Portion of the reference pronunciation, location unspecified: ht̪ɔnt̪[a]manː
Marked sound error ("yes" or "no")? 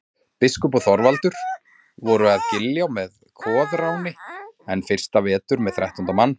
no